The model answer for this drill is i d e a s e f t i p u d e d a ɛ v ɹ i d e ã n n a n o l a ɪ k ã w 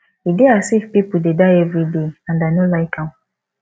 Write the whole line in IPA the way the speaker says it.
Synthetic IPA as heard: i d e a s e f p i p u d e d a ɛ v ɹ i d e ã n d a n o l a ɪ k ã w